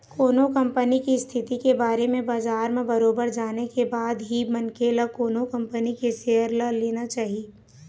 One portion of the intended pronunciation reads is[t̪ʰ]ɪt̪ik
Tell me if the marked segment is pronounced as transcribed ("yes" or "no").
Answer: yes